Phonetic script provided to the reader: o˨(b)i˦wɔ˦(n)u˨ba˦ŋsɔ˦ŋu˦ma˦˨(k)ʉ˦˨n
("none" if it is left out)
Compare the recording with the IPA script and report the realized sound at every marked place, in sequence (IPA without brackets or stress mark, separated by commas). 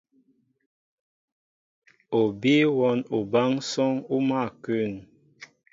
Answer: b, n, k